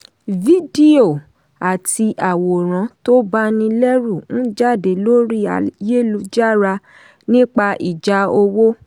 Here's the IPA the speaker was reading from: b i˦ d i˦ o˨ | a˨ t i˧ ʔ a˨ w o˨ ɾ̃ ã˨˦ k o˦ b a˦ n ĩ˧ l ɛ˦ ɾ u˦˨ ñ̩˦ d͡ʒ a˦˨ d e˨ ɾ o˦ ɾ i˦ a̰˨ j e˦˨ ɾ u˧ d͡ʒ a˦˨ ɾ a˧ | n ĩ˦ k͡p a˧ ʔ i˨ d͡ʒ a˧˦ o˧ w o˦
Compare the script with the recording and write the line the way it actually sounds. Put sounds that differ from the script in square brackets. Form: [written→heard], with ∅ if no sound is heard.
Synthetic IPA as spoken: [b→v] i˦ d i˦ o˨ | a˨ t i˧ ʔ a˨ w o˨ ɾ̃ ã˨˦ [k→t] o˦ b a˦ n ĩ˧ l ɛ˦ ɾ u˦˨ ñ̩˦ d͡ʒ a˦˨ d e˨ [ɾ→l] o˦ ɾ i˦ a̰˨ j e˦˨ [ɾ→l] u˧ d͡ʒ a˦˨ ɾ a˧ | n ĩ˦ k͡p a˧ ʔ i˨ d͡ʒ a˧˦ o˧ w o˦